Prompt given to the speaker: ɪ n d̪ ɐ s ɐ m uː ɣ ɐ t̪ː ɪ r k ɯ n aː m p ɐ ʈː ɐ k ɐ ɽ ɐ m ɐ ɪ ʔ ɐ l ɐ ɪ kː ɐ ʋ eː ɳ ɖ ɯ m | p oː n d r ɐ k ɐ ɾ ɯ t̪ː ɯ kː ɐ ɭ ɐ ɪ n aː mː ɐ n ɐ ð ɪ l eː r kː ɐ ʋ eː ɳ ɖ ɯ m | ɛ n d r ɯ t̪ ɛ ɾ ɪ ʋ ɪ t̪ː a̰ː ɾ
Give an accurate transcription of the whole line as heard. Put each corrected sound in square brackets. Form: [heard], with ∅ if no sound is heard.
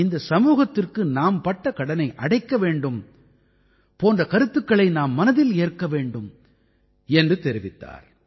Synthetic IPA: ɪ n d̪ ɐ s ɐ m uː ɣ ɐ t̪ː ɪ r k ɯ n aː m p ɐ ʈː ɐ k ɐ ɽ ɐ [n] ɐ ɪ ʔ ɐ [ɽ] ɐ ɪ kː ɐ ʋ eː ɳ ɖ ɯ m | p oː n d r ɐ k ɐ ɾ ɯ t̪ː ɯ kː ɐ ɭ ɐ ɪ n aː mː ɐ n ɐ ð ɪ l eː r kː ɐ ʋ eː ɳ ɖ ɯ m | ɛ n d r ɯ t̪ ɛ ɾ ɪ ʋ ɪ t̪ː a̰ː ɾ